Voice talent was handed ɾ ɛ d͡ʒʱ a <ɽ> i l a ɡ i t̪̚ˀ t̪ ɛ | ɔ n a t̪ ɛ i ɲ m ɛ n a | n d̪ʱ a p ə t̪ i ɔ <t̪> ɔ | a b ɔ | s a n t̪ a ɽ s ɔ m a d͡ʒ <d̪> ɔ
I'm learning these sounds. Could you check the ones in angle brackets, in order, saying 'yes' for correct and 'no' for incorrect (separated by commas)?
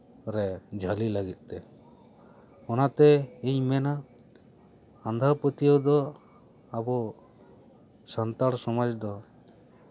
no, no, yes